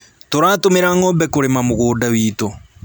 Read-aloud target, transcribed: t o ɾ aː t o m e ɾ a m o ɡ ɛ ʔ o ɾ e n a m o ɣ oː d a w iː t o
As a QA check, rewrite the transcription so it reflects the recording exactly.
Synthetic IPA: t o ɾ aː t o m e ɾ a ŋ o b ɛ k o ɾ e m a m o ɣ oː d a w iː t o